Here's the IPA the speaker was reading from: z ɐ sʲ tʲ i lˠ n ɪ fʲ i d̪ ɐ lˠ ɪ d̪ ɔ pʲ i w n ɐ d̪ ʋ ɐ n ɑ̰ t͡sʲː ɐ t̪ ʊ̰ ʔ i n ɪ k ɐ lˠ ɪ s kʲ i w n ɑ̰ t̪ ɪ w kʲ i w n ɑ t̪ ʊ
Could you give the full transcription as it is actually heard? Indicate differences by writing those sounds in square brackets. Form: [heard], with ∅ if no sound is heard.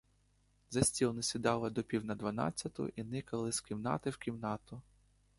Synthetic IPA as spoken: z ɐ sʲ tʲ i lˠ n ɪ [sʲ] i d̪ [ɑ] lˠ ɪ d̪ ɔ pʲ i w n ɐ d̪ ʋ ɐ n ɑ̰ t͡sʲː ɐ t̪ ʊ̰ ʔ i n ɪ k ɐ lˠ ɪ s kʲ i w n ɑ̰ t̪ ɪ w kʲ i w n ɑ t̪ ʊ